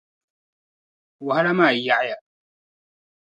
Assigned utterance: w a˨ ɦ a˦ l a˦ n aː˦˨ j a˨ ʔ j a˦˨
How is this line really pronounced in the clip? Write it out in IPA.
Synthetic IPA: w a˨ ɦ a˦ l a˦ m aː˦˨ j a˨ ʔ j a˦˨